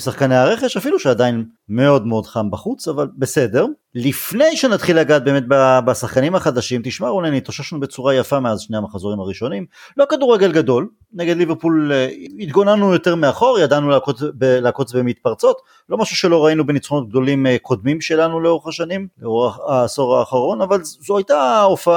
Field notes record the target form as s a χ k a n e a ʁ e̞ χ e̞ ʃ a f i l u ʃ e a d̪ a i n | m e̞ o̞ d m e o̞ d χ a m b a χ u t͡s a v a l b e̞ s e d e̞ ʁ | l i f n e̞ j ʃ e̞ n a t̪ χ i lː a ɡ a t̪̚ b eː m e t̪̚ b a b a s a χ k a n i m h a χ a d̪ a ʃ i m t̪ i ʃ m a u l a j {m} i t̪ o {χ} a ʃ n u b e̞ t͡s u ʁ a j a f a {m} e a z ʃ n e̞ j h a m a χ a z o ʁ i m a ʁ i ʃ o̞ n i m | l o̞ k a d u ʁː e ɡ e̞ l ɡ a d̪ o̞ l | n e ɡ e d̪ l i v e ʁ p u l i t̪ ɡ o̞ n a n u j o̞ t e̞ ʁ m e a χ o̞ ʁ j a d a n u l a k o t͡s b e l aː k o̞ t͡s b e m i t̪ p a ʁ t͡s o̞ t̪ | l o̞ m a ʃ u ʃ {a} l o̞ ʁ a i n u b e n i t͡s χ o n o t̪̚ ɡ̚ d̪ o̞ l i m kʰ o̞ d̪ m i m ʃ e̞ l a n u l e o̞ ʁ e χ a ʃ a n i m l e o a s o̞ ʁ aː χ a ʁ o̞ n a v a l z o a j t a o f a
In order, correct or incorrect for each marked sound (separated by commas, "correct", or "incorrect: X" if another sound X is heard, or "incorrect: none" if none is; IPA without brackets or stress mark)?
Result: incorrect: n, incorrect: ʃ, correct, incorrect: e